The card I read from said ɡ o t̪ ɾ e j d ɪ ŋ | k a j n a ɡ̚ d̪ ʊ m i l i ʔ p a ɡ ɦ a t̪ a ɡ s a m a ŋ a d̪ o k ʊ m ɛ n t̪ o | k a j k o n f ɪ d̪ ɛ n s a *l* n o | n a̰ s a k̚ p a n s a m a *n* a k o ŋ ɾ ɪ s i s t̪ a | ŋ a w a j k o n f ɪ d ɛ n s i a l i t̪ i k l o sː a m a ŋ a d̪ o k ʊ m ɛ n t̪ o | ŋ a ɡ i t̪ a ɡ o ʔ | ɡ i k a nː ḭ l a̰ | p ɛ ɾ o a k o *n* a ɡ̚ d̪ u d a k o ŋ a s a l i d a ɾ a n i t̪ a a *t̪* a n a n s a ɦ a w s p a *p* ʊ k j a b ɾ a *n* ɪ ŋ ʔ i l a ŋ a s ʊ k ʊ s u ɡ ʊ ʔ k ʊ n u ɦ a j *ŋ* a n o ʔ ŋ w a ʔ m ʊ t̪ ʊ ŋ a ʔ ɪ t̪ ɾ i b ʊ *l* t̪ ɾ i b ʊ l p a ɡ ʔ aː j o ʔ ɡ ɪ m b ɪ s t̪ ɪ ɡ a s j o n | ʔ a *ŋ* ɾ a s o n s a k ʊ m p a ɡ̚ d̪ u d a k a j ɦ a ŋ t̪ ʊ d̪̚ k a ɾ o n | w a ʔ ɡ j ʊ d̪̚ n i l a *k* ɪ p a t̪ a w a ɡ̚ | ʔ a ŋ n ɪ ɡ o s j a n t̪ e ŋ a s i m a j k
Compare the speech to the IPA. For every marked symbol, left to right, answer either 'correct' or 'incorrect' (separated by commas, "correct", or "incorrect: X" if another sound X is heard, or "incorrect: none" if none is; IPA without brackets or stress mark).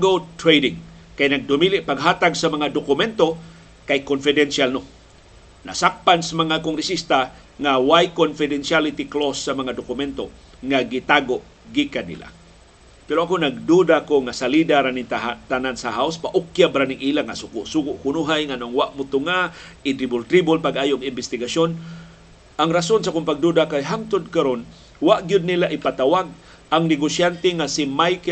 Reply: correct, incorrect: ŋ, correct, correct, incorrect: ʔ, correct, correct, correct, correct, incorrect: ʔ